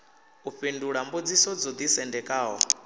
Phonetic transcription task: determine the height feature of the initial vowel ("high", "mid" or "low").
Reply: high